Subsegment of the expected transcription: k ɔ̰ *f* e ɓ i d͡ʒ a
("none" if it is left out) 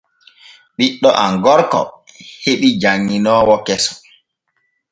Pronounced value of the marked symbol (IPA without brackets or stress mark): h